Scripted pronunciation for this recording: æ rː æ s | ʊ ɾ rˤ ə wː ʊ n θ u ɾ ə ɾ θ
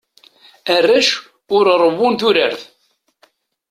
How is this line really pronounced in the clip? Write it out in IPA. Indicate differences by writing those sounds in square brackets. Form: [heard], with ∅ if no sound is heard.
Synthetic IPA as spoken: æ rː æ [ʃ] | ʊ ɾ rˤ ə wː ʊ n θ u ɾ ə ɾ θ